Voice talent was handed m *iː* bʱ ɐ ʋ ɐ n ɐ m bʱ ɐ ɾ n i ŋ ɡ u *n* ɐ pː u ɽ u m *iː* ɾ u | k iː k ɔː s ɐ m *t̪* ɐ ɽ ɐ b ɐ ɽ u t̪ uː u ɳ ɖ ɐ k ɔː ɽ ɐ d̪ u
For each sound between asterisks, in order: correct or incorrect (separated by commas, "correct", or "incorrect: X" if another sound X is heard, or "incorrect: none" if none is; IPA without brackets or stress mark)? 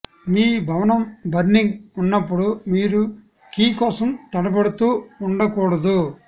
correct, incorrect: nː, correct, correct